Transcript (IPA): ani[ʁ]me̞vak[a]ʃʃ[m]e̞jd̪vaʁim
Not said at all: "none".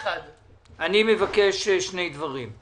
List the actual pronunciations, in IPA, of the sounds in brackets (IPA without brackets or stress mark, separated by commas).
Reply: none, e, n